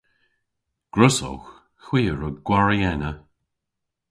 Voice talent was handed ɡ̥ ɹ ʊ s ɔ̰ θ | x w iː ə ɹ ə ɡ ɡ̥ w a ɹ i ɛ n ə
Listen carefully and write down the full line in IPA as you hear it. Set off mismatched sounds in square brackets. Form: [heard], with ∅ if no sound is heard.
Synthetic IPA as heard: ɡ̥ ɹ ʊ s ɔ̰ [x] | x w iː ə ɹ ə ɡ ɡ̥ w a ɹ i ɛ n ə